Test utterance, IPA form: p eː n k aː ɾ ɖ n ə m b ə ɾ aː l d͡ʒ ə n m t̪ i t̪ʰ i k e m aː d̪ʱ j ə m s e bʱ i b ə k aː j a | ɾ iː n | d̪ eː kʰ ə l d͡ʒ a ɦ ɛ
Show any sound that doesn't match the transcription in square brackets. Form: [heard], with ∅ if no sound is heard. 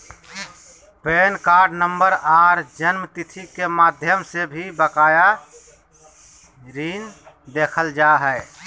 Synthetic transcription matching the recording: p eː n k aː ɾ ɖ n ə m b ə ɾ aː [ɾ] d͡ʒ ə n m t̪ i t̪ʰ i k e m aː d̪ʱ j ə m s e bʱ i b ə k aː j a | ɾ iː n | d̪ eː kʰ ə l d͡ʒ a ɦ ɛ